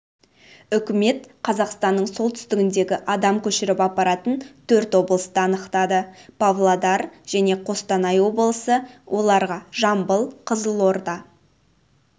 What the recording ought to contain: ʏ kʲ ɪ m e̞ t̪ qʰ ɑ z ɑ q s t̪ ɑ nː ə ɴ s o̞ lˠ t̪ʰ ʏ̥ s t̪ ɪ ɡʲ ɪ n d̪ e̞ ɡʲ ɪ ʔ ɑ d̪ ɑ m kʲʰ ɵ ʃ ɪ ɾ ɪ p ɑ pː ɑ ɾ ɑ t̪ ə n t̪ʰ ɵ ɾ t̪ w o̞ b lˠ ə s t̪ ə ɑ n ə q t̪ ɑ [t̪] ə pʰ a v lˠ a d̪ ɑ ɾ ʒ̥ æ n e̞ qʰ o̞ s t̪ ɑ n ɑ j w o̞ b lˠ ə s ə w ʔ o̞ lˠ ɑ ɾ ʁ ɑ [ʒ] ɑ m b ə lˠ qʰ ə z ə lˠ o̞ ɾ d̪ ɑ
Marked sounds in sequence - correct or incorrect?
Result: incorrect: d̪, correct

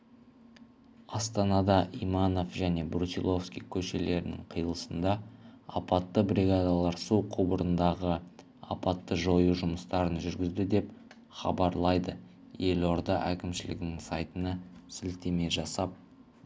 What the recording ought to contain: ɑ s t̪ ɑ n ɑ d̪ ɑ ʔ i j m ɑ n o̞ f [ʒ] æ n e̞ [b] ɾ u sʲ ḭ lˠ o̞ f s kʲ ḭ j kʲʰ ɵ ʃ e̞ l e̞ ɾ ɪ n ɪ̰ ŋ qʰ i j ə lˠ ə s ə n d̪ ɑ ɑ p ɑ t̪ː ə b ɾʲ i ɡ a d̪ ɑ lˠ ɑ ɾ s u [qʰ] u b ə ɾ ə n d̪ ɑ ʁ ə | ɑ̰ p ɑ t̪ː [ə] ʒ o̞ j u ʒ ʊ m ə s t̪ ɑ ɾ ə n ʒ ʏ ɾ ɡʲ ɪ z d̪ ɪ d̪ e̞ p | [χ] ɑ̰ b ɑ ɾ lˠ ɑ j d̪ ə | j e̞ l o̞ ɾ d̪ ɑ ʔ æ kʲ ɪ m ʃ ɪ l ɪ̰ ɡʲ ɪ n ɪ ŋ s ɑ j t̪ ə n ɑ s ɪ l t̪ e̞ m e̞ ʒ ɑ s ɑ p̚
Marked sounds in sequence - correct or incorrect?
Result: correct, correct, correct, correct, correct

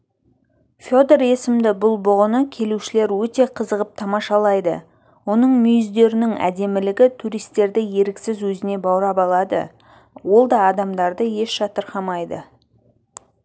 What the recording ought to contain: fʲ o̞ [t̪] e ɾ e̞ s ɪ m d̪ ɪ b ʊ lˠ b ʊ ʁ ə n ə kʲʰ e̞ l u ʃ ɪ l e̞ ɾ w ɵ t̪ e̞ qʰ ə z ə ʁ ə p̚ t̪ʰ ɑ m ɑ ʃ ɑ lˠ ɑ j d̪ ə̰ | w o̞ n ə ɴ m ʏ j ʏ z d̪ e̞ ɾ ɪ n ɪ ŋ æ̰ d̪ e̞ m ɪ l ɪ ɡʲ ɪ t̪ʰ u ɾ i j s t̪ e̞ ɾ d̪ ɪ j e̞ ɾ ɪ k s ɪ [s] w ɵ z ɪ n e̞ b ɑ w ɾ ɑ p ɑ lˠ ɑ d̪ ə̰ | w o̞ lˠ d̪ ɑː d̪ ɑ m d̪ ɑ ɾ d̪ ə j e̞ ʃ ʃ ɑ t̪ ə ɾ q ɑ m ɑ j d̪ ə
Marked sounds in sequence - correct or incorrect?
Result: incorrect: d̪, incorrect: z

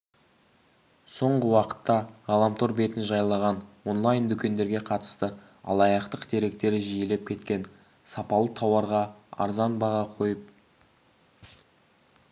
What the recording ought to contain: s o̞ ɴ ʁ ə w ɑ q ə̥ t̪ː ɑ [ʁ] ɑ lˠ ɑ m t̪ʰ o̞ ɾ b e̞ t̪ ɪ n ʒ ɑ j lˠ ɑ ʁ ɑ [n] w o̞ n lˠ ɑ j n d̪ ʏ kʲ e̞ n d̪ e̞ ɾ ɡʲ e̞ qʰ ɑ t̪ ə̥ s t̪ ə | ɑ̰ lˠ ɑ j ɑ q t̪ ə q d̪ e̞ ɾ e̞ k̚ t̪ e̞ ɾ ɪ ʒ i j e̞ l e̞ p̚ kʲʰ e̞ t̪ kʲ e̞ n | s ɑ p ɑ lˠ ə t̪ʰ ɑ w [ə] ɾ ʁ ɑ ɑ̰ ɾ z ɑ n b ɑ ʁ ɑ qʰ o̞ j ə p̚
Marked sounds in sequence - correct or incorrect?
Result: correct, correct, incorrect: ɑ

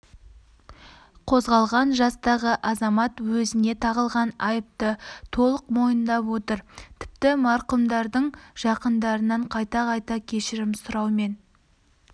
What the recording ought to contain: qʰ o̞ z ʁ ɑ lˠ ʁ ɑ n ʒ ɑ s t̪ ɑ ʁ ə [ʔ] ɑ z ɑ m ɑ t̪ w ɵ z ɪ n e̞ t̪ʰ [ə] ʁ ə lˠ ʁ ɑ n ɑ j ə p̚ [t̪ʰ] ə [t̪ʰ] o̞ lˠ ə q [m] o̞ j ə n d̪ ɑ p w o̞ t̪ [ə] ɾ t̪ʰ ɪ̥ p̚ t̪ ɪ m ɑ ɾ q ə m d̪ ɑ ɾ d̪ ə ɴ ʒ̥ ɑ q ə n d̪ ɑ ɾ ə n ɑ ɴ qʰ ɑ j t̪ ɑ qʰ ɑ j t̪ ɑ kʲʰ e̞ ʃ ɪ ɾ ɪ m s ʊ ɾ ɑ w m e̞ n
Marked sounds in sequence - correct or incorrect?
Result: correct, incorrect: ɑ, incorrect: t̪, correct, correct, correct

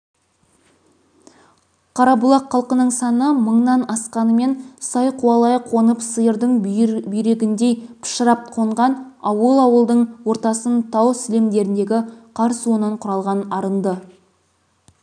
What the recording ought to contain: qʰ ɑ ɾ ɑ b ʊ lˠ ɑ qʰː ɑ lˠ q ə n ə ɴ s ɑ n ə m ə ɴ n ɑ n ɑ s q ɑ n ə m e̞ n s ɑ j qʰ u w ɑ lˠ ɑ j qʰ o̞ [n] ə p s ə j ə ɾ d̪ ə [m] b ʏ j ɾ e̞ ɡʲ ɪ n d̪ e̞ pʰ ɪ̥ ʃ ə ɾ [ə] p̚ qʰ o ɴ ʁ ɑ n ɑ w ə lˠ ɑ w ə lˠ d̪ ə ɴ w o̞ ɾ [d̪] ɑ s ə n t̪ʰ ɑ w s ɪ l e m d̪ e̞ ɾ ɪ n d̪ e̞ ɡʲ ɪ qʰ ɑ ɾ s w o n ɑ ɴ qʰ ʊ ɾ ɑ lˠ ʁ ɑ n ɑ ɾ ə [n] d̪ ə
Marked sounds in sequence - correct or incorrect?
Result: correct, incorrect: ɴ, incorrect: ɑ, incorrect: t̪, correct

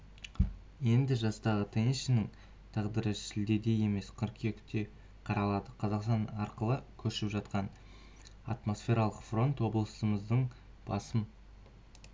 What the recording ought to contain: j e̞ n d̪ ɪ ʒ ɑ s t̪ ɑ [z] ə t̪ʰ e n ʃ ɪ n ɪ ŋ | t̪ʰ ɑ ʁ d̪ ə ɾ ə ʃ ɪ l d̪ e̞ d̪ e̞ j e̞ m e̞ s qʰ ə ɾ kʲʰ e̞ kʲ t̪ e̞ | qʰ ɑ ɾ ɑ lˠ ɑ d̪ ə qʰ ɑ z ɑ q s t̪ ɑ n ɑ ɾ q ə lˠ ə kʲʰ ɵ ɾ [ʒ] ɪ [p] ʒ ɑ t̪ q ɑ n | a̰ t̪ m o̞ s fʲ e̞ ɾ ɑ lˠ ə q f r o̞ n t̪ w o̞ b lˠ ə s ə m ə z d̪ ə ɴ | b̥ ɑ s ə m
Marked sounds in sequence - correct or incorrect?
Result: incorrect: ʁ, incorrect: ʃ, correct

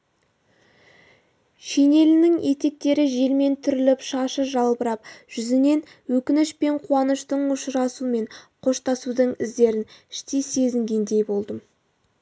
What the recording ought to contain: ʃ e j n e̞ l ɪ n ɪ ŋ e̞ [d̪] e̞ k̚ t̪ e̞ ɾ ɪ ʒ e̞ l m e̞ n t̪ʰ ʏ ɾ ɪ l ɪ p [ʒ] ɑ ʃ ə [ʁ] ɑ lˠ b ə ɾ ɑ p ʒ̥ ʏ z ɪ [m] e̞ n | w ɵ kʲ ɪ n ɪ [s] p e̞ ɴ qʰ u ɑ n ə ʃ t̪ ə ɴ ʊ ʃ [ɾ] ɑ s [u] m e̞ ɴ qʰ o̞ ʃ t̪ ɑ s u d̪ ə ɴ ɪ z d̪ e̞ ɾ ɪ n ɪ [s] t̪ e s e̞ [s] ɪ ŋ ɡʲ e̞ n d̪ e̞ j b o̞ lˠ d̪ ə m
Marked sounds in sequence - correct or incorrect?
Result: incorrect: t̪, incorrect: ʃ, incorrect: ʒ, incorrect: n, incorrect: ʃ, correct, correct, incorrect: ʃ, incorrect: z

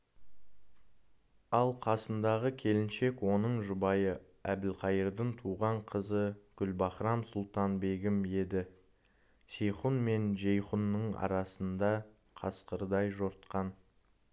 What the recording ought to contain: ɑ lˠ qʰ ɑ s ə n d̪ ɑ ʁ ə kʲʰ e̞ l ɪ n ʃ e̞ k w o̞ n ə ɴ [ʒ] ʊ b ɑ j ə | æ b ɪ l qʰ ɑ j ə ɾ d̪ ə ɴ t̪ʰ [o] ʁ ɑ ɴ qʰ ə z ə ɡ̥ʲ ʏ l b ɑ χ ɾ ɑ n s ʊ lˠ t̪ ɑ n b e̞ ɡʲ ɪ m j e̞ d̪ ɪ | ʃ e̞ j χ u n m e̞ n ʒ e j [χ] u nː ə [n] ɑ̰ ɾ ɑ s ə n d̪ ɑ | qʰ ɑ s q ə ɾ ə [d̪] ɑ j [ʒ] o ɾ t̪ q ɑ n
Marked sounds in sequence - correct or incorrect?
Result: correct, incorrect: u, correct, incorrect: ɴ, correct, correct

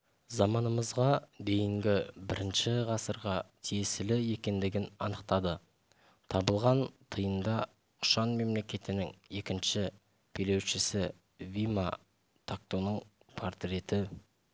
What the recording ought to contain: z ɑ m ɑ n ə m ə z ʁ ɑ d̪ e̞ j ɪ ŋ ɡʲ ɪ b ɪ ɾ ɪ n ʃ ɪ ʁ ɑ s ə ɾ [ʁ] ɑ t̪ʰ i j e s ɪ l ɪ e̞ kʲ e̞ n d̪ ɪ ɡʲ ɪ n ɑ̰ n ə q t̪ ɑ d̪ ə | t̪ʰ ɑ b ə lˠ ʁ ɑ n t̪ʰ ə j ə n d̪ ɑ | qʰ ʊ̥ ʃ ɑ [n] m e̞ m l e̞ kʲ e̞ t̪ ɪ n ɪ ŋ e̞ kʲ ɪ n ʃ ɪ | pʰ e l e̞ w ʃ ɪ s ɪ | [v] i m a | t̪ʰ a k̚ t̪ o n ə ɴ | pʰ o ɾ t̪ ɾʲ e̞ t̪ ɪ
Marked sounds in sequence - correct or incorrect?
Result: correct, correct, correct

